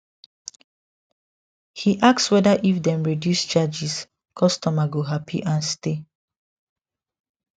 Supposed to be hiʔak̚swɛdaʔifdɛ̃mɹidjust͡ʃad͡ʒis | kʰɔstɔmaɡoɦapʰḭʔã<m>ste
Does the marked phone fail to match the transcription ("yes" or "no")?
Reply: yes